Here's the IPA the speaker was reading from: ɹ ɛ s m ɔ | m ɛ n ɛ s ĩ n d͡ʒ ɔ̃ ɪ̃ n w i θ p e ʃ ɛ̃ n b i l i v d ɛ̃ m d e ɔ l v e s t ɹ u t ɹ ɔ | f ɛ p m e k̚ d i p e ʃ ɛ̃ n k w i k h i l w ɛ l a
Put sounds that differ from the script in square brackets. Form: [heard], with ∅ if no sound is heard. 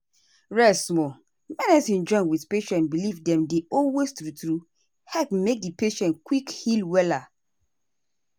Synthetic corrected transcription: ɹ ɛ s m ɔ | m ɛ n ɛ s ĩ n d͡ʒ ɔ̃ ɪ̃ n w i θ p e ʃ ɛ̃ n b i l i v d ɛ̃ m d e ɔ l [w] e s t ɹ u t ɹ [u] | [h] ɛ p m e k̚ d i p e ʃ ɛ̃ n k w i k h i l w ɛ l a